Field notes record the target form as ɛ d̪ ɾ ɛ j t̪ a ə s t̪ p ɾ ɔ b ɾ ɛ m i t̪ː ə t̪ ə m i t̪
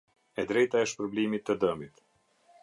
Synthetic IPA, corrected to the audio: ɛ d̪ ɾ ɛ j t̪ a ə ʃ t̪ p ɾ ɔ b l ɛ m i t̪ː ə d̪ ə m i t̪